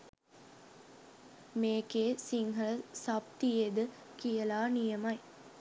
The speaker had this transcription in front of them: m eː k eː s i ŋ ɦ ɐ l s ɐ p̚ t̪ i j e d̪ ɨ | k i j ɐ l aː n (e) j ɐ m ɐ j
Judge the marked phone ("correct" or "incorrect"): incorrect